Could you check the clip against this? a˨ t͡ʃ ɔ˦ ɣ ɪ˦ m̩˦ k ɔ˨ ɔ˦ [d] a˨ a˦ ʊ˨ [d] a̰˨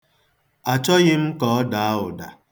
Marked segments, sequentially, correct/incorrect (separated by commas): correct, correct